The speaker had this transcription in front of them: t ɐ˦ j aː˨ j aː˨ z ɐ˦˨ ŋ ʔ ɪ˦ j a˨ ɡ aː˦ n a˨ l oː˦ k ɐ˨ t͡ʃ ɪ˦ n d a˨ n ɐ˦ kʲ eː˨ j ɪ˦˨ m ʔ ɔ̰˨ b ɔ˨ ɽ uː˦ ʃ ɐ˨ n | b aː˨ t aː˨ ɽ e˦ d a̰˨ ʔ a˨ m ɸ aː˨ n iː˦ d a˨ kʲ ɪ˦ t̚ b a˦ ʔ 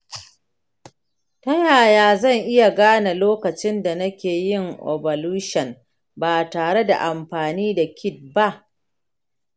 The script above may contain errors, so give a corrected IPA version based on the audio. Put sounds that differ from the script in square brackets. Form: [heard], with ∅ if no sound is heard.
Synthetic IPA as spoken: t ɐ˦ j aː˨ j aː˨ z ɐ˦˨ ŋ ʔ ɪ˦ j a˨ ɡ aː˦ n a˨ l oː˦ k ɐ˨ t͡ʃ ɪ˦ n d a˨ n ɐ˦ kʲ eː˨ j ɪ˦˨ [ŋ] ʔ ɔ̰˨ b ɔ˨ [l] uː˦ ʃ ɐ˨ n | b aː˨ t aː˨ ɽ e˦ d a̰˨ ʔ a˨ m ɸ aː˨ n iː˦ d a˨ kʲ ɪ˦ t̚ b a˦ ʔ